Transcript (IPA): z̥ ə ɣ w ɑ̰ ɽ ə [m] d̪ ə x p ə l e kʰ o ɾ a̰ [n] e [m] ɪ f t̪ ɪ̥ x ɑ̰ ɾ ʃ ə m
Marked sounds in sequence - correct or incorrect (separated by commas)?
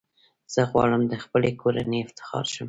correct, correct, incorrect